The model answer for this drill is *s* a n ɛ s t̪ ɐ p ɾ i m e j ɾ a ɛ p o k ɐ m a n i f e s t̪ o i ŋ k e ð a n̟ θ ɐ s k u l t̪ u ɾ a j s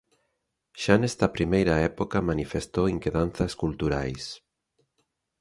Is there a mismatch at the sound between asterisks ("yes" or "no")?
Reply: yes